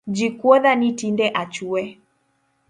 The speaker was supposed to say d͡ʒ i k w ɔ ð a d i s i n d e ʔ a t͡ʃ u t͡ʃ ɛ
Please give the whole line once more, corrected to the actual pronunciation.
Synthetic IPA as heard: d͡ʒ i k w ɔ ð a n i t i n d ɛ ʔ a t͡ʃ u ɛ